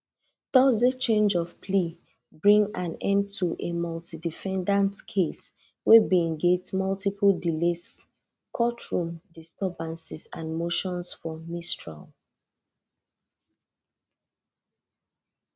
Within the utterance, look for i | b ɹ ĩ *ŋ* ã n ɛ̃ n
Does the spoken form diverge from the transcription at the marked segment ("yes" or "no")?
no